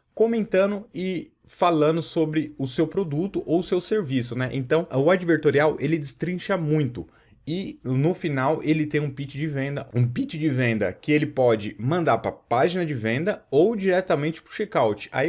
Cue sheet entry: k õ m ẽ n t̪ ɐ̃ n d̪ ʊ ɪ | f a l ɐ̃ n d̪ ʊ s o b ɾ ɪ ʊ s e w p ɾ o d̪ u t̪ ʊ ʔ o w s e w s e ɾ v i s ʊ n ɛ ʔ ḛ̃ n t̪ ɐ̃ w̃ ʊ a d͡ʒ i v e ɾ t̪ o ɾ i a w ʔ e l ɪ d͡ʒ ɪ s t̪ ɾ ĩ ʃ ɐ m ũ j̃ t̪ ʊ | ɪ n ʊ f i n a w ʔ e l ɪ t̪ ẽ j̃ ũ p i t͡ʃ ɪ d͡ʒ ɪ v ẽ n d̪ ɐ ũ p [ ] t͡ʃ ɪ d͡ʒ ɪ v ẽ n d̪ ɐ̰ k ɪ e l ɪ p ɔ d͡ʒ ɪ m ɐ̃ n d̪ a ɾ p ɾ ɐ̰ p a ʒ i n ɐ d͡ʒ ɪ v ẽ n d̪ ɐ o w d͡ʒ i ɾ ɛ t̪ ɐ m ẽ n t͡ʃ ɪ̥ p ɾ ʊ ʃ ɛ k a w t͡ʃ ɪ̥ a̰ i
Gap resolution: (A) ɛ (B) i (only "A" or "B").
B